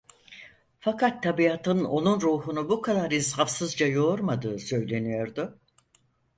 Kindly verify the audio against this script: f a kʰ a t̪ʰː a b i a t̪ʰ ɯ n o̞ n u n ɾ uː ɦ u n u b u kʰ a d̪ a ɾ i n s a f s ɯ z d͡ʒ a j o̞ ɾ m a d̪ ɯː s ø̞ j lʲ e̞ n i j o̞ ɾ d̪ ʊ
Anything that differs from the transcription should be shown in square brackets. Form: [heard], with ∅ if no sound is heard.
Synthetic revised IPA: f a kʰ a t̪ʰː a b i a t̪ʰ ɯ n o̞ n u n ɾ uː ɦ u n u b u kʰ a d̪ a ɾ i n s a f s ɯ z d͡ʒ a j o̞ ɾ m a d̪ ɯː s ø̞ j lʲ e̞ n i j o̞ ɾ d̪ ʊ